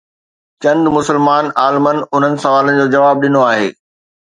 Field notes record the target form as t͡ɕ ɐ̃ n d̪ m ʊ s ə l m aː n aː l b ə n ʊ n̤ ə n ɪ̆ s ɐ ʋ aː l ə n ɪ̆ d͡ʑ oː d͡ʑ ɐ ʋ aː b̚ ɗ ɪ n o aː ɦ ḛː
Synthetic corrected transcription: t͡ɕ ɐ̃ n d̪ m ʊ s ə l m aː n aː l m ə n ʊ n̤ ə n ɪ̆ s ɐ ʋ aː l ə n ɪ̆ d͡ʑ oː d͡ʑ ɐ ʋ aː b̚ ɗ ɪ n o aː ɦ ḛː